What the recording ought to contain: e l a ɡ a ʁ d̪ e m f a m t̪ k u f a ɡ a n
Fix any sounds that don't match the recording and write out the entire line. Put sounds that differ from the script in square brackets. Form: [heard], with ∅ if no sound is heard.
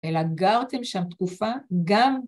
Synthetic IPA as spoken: e l a ɡ a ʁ [t̪] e m [ʃ] a m t̪ k u f a ɡ a [m]